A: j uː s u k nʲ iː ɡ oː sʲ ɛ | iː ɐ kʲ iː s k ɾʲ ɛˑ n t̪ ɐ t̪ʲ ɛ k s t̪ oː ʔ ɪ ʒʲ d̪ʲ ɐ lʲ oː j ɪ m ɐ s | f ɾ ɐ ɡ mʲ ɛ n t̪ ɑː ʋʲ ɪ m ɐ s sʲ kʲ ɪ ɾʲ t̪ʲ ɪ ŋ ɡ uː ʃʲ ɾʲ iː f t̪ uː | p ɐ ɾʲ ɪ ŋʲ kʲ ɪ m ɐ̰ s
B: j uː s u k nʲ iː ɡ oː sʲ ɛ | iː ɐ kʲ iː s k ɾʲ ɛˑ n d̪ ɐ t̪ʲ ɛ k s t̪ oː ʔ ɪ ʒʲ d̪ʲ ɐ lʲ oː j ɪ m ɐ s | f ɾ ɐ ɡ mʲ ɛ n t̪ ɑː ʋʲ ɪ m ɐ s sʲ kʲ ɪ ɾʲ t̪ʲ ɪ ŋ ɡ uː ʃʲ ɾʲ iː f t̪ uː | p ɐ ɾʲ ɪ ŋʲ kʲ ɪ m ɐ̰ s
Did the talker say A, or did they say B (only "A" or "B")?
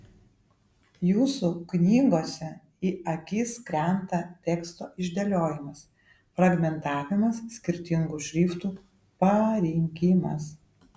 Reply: A